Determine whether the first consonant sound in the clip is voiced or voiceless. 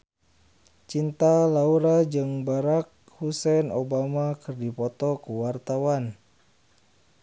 voiceless